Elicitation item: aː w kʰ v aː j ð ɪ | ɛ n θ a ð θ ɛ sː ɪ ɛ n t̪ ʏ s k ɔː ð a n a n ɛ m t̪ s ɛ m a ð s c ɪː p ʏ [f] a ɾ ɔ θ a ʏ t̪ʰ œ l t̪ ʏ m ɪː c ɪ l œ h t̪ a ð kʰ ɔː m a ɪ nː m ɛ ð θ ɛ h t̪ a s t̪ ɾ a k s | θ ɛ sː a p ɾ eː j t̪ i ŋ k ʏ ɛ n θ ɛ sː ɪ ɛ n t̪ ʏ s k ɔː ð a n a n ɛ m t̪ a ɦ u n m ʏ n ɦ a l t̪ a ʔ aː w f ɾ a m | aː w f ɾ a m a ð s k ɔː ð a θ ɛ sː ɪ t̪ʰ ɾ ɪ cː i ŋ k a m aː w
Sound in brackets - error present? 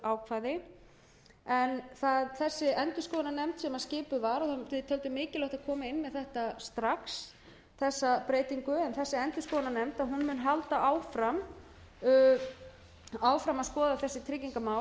yes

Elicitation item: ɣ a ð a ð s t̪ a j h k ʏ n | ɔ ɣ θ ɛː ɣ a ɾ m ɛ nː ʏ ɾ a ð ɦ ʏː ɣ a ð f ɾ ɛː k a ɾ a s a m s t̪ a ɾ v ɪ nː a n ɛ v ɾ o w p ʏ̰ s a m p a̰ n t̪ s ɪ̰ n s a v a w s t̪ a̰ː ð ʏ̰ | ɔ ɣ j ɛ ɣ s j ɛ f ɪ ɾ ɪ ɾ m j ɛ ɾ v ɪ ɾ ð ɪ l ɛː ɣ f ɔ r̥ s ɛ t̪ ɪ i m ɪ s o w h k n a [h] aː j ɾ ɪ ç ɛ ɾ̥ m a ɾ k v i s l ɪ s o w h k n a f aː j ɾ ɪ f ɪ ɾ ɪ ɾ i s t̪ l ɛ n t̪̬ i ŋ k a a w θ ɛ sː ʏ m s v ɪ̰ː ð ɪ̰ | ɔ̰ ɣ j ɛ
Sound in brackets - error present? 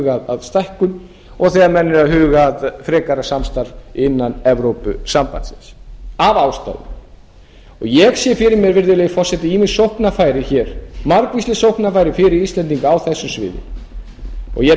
yes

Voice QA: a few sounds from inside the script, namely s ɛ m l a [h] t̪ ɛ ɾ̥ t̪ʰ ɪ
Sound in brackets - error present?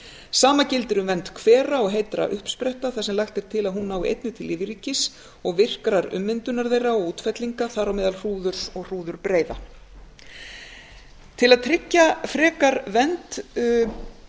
yes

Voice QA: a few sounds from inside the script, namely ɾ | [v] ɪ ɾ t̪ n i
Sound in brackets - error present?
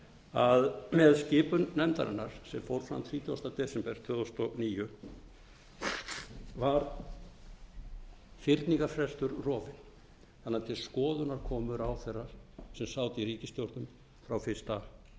yes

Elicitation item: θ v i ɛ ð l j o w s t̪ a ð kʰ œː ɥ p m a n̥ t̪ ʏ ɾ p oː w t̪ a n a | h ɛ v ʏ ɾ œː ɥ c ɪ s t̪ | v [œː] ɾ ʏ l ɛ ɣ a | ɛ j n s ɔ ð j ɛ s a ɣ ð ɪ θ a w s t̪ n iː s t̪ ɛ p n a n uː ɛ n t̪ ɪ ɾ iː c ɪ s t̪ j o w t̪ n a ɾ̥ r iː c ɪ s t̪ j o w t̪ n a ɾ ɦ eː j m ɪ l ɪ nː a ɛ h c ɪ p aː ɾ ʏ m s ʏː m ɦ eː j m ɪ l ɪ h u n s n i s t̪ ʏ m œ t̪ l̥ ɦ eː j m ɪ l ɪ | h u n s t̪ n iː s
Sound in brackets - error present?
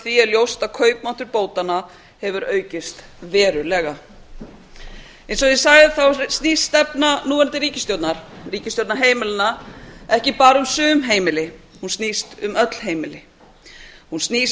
yes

